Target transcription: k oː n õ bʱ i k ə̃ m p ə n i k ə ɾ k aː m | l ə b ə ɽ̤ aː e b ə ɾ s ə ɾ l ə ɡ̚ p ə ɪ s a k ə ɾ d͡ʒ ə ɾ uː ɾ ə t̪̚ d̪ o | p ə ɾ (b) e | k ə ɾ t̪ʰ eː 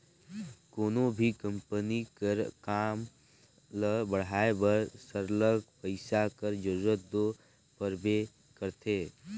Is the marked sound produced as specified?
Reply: yes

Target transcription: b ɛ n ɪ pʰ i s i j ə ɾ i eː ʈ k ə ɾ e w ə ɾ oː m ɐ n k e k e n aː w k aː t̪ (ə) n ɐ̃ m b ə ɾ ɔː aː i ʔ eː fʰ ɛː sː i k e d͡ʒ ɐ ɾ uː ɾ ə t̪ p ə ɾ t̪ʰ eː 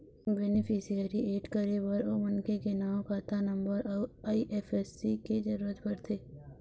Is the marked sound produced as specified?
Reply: no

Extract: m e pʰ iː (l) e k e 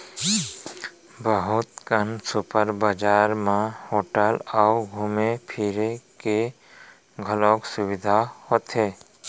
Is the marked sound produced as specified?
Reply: no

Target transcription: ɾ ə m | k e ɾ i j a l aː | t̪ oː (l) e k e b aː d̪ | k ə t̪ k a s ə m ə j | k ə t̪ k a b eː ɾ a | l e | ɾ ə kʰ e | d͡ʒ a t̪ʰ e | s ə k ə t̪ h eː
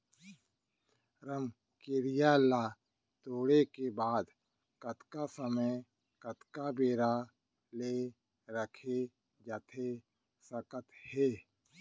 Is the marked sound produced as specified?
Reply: no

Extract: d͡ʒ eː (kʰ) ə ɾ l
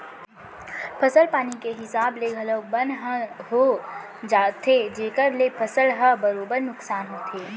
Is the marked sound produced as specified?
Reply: no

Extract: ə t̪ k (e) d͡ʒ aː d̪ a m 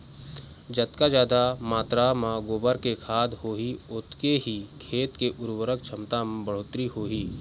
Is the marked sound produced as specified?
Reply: no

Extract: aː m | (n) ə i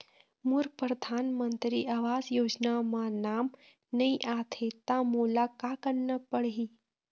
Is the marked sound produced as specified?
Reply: yes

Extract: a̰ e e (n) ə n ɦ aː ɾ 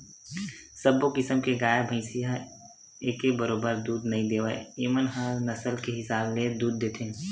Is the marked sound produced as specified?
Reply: no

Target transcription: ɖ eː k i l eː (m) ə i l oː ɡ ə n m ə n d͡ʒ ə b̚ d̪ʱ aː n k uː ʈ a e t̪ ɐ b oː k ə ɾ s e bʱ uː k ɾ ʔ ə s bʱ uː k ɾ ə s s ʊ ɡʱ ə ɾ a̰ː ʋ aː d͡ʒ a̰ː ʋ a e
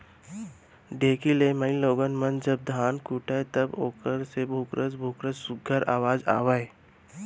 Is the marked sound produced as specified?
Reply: yes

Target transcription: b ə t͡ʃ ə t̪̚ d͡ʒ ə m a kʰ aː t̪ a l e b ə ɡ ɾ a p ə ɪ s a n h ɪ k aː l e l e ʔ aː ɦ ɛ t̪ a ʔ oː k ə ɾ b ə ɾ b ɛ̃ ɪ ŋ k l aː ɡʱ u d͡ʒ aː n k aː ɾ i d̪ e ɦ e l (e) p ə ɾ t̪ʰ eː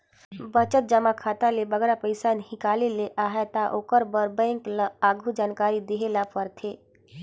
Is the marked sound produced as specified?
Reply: no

